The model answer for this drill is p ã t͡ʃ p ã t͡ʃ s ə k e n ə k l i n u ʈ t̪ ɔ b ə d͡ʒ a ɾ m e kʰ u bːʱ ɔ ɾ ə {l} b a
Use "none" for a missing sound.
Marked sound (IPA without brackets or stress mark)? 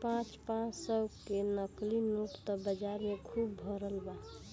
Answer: l